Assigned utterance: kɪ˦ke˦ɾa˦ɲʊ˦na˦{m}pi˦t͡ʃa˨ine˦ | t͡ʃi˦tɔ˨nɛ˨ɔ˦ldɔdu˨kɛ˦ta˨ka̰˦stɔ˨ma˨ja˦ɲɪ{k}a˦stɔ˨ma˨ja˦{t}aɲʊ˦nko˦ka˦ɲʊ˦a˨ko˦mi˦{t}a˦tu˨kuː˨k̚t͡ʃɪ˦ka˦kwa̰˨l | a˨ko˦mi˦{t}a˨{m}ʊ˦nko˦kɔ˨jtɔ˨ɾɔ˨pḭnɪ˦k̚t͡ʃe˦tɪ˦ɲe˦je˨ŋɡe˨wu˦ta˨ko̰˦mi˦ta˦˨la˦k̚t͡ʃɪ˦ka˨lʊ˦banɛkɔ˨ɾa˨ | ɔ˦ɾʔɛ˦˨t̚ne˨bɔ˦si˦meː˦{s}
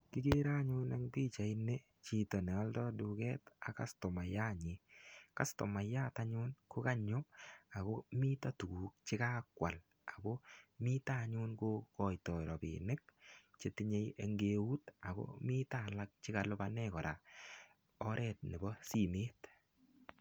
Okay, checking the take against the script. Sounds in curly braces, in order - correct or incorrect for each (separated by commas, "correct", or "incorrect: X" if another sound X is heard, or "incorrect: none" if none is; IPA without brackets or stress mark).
incorrect: ŋ, correct, correct, correct, correct, incorrect: ɲ, incorrect: t